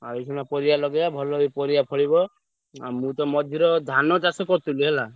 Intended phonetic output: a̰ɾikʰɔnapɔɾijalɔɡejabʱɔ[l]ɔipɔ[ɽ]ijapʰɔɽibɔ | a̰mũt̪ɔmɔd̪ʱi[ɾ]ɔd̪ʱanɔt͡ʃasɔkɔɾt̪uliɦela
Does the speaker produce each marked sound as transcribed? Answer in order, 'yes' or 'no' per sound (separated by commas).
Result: yes, no, yes